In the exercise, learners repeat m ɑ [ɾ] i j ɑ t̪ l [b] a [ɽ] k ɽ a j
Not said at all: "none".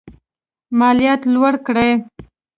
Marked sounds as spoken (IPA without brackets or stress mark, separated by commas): l, w, ɽ